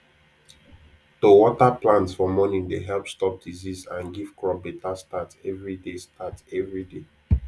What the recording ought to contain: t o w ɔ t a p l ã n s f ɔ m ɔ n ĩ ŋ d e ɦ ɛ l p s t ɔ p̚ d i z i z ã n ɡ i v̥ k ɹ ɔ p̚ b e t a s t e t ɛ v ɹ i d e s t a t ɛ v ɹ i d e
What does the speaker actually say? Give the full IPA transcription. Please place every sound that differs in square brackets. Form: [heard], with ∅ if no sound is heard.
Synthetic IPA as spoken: t o w ɔ t a p l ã n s f ɔ m ɔ n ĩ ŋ d e ɦ ɛ l p s t ɔ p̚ d i z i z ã n ɡ i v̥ k ɹ ɔ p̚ b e t a s t [a] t ɛ v ɹ i d e s t a t ɛ v ɹ i d e